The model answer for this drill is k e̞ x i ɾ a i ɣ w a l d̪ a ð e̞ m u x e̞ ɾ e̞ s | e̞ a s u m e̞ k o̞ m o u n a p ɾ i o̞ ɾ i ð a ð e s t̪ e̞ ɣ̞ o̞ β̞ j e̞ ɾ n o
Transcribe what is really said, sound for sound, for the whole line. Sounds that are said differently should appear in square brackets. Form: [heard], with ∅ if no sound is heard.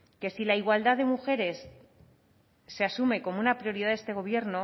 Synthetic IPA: k e̞ [s] i [l] a i ɣ w a l d̪ a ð e̞ m u x e̞ ɾ e̞ s | e̞ a s u m e̞ k o̞ m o u n a p ɾ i o̞ ɾ i ð a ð e s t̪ e̞ ɣ̞ o̞ β̞ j e̞ ɾ n o